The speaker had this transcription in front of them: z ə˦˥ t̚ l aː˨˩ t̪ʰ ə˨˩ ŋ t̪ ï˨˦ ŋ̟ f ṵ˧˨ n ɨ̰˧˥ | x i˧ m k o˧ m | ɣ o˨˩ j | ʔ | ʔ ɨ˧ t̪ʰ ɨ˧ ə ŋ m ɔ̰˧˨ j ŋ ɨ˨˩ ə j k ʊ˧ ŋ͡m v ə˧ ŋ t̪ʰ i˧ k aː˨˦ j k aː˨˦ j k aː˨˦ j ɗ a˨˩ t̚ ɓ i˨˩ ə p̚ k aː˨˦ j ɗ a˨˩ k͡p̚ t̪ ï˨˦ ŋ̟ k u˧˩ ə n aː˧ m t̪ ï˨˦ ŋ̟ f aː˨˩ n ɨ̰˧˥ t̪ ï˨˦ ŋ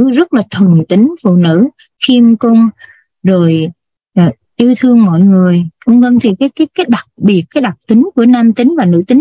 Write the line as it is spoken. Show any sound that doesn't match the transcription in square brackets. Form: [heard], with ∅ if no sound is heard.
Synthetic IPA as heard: z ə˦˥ t̚ l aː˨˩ t̪ʰ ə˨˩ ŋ t̪ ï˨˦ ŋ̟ f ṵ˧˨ n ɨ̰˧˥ | x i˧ m k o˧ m | [z] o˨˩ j | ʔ | ʔ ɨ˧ t̪ʰ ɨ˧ ə ŋ m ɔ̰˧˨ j ŋ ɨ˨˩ ə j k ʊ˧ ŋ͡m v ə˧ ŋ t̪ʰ [i˨˩] k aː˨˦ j k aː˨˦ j k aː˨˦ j ɗ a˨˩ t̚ ɓ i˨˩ ə [t̚] k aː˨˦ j ɗ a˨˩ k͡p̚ t̪ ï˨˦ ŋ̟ k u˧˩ ə n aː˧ m t̪ ï˨˦ ŋ̟ [v] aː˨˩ n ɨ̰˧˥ t̪ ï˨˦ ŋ

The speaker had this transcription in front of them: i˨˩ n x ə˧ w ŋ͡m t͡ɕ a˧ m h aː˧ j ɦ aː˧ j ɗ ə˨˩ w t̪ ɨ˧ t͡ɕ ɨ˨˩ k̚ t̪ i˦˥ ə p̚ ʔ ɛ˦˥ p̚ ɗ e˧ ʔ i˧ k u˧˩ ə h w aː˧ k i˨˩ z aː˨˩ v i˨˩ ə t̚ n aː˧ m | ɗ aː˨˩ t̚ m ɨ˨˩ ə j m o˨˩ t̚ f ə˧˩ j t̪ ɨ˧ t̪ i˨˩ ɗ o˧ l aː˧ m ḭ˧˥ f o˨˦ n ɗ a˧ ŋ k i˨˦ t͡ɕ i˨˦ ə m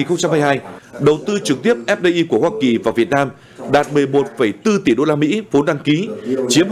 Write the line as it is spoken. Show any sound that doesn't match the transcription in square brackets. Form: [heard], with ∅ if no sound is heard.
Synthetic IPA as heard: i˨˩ n x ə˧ w ŋ͡m t͡ɕ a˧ m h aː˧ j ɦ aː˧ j ɗ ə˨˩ w t̪ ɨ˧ t͡ɕ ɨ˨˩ k̚ t̪ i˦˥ ə p̚ ʔ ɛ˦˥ p̚ ɗ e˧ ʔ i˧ k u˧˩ ə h w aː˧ k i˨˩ [v] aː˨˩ v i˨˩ ə t̚ n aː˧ m | ɗ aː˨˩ t̚ m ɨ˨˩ ə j m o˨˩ t̚ f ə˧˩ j t̪ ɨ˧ t̪ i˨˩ ɗ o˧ l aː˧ m ḭ˧˥ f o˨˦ n ɗ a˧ ŋ k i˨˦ t͡ɕ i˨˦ ə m

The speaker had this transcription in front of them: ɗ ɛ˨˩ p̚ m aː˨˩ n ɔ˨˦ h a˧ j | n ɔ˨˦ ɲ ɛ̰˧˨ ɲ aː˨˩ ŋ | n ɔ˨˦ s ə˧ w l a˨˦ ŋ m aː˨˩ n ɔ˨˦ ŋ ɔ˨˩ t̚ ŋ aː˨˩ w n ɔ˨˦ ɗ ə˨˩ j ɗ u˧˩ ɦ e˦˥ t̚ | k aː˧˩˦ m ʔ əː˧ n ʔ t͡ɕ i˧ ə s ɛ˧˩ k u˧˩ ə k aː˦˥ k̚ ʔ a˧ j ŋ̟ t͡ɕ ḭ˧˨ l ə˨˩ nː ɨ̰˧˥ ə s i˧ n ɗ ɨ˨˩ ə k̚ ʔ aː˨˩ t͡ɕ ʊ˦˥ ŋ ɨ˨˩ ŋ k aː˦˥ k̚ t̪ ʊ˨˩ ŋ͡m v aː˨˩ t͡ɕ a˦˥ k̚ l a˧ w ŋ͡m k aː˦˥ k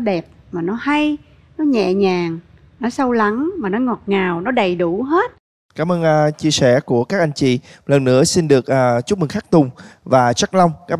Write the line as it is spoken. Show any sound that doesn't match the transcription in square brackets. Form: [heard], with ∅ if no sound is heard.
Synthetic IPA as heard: ɗ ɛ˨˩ p̚ m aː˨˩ n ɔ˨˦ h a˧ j | n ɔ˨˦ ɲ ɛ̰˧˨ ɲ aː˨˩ ŋ | n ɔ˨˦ s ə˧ w l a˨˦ ŋ m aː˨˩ n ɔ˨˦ ŋ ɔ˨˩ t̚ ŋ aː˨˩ w n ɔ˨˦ ɗ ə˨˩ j ɗ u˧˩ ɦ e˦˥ t̚ | k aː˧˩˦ m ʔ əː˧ n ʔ t͡ɕ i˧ ə s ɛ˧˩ k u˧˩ ə k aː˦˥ k̚ ʔ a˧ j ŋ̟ t͡ɕ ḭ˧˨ l ə˨˩ nː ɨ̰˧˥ ə s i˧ n ɗ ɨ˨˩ ə k̚ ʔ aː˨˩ t͡ɕ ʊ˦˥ [m] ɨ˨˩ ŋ [x] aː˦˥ k̚ t̪ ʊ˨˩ ŋ͡m v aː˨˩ t͡ɕ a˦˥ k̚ l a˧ w ŋ͡m k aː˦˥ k

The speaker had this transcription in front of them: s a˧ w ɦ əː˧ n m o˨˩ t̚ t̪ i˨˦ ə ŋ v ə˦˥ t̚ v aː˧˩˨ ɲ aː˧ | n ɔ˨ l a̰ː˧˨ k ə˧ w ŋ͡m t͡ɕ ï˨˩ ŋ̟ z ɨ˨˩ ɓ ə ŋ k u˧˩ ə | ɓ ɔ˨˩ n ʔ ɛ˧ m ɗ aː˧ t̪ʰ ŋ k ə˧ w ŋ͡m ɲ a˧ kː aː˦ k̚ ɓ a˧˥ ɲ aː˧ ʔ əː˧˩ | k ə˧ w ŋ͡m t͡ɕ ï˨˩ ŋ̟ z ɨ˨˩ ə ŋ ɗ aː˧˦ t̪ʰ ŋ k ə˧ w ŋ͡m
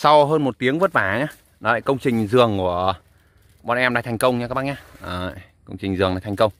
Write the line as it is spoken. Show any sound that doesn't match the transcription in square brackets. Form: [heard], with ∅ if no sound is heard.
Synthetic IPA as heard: s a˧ w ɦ əː˧ n m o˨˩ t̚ t̪ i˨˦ ə ŋ v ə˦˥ t̚ v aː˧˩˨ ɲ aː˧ | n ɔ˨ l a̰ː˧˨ k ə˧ w ŋ͡m t͡ɕ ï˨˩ ŋ̟ z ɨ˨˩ [∅] ə ŋ k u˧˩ ə | ɓ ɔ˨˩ n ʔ ɛ˧ m ɗ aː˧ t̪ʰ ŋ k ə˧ w ŋ͡m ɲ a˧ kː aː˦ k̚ ɓ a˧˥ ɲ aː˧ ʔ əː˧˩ | k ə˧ w ŋ͡m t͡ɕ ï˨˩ ŋ̟ z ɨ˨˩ ə ŋ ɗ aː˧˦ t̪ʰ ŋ k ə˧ w ŋ͡m

